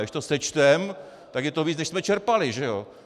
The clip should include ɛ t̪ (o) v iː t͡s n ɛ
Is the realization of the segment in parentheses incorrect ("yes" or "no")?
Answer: no